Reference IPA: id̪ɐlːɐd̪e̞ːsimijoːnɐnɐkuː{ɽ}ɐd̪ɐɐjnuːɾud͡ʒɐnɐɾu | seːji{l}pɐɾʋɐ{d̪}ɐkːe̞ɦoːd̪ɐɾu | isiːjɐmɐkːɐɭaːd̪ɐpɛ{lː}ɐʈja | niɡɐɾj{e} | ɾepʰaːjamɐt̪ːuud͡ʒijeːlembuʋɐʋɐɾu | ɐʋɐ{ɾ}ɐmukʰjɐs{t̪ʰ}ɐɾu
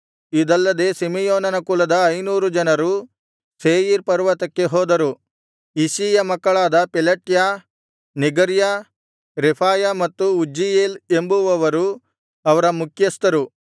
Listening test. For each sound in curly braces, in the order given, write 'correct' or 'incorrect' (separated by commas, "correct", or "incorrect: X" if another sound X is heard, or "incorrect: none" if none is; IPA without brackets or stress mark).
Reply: incorrect: l, incorrect: ɾ, incorrect: t̪, incorrect: l, incorrect: a, correct, incorrect: t̪